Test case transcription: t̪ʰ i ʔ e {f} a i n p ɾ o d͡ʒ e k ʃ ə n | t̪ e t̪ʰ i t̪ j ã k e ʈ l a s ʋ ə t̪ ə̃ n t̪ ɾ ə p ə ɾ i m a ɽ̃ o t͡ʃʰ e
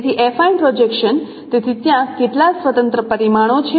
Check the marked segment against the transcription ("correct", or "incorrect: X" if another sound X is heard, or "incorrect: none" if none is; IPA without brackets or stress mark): correct